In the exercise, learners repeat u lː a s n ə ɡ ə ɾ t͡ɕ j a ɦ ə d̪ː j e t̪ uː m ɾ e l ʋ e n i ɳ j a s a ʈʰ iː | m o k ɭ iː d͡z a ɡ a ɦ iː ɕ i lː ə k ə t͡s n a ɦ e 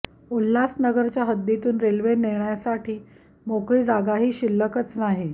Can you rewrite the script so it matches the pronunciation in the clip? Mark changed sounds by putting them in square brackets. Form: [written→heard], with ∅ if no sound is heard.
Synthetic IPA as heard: u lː a s n ə ɡ ə ɾ t͡ɕ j a ɦ ə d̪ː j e t̪ uː [m→n] ɾ e l ʋ e n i ɳ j a s a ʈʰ iː | m o k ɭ iː d͡z a ɡ a ɦ iː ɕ i lː ə k ə t͡s n a ɦ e